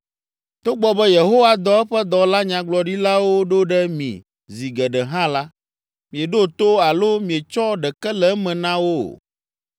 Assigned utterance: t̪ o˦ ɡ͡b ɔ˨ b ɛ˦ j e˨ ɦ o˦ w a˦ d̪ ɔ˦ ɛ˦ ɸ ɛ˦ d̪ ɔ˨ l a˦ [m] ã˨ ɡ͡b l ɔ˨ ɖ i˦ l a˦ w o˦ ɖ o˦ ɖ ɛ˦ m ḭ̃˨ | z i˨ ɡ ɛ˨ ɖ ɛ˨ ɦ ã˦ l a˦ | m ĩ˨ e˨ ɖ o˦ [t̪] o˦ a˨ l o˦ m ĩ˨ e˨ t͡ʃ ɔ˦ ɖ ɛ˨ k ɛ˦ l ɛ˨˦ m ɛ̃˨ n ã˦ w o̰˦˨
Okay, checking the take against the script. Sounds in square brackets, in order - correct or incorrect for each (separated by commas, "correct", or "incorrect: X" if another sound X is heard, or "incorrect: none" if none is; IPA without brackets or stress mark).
incorrect: ɲ, correct